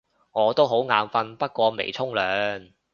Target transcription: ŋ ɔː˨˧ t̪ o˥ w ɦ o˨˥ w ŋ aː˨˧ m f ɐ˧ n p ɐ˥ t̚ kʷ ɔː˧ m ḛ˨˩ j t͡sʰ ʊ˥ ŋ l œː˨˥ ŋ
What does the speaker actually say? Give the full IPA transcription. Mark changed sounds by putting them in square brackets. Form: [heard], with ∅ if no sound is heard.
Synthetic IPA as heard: ŋ ɔː˨˧ t̪ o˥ w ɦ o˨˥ w ŋ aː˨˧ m f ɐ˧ n p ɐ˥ t̚ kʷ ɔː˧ m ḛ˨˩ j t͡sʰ ʊ˥ ŋ l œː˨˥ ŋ